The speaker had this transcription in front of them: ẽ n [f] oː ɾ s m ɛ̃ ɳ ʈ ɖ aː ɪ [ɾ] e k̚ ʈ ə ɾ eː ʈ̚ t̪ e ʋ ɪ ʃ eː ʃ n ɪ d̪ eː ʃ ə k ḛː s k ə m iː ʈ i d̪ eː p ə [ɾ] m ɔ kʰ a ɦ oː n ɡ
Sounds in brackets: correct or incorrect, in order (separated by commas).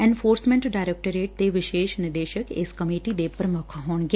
correct, correct, correct